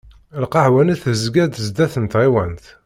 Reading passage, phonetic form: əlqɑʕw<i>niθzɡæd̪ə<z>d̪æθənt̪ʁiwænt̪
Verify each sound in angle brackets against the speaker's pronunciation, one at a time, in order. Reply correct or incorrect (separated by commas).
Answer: incorrect, correct